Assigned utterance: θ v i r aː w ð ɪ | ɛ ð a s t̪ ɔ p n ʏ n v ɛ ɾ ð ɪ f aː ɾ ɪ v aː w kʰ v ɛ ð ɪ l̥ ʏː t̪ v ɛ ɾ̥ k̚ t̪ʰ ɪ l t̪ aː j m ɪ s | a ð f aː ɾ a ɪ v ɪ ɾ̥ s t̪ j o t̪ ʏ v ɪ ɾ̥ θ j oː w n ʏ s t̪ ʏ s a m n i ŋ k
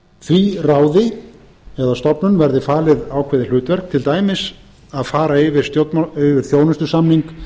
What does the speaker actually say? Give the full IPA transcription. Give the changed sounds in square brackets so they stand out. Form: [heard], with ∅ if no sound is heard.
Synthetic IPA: θ v i r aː w ð ɪ | ɛ ð a s t̪ ɔ p n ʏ n v ɛ ɾ ð ɪ f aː [l] ɪ [ð] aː w kʰ v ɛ ð ɪ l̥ ʏː t̪ v ɛ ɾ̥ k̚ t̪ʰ ɪ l t̪ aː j m ɪ s | a ð f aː ɾ a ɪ v ɪ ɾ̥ s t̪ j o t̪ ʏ v ɪ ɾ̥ θ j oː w n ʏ s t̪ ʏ s a m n i ŋ k